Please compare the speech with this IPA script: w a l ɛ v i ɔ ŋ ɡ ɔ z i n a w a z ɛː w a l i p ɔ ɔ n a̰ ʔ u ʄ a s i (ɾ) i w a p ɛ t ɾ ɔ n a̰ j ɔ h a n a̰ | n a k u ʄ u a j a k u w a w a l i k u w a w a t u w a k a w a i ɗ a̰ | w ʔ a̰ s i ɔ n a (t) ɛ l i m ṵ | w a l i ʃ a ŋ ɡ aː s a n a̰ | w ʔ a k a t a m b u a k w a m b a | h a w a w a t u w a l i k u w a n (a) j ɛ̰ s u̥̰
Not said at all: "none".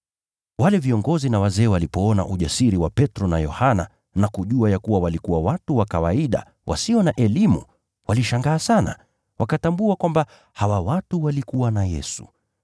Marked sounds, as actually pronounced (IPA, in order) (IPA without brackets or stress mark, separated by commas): ɾ, ʔ, a